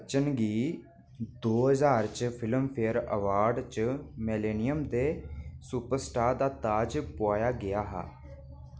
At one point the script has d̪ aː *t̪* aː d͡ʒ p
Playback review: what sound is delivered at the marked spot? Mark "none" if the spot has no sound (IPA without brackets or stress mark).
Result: t̪